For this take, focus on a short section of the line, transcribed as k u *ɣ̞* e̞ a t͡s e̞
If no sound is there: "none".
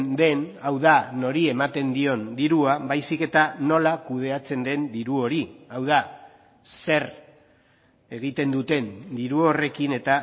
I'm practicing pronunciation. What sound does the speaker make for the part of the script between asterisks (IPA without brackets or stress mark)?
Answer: ð̞